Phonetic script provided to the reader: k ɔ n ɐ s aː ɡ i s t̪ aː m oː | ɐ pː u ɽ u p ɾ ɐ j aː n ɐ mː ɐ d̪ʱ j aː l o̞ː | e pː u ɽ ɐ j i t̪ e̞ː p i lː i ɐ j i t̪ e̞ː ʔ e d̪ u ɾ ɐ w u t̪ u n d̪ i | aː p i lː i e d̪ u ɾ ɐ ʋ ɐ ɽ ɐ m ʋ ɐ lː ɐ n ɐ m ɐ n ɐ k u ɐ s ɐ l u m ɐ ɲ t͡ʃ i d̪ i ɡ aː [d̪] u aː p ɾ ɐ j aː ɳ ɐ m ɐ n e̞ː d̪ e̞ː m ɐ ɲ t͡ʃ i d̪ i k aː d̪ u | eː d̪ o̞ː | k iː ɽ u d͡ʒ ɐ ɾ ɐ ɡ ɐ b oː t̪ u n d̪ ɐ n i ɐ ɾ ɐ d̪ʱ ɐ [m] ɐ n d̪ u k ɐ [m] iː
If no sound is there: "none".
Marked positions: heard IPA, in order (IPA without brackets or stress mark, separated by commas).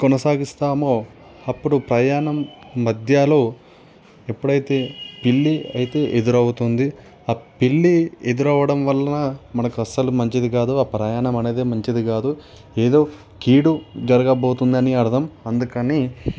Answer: d̪, m, n